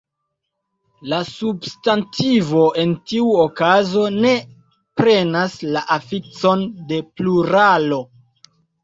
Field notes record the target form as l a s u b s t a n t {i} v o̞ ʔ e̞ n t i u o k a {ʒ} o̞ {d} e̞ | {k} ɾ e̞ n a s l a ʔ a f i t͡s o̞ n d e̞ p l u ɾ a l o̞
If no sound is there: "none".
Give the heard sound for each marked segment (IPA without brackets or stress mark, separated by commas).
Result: i, z, n, p